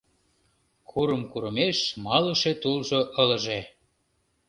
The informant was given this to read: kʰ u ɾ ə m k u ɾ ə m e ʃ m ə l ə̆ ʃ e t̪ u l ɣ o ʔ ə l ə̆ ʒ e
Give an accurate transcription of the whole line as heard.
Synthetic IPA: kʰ u ɾ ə m k u ɾ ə m e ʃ m ɑ l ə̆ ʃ e t̪ u l ʒ o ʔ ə l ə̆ ʒ e